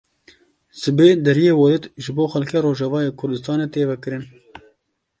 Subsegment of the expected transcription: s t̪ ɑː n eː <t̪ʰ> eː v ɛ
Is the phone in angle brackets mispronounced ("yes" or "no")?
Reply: yes